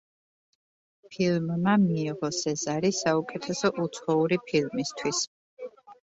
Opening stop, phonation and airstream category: aspirated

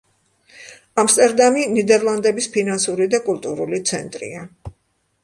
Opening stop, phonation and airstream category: ejective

